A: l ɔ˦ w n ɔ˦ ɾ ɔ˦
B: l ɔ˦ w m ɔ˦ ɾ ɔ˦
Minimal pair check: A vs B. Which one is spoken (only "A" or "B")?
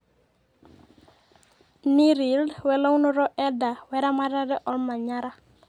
A